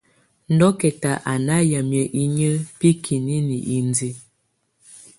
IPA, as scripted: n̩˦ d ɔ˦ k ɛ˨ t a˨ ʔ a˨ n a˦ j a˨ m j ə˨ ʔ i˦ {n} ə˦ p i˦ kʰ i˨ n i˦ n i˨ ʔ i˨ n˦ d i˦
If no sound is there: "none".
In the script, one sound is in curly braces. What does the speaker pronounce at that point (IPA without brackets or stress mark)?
ɲ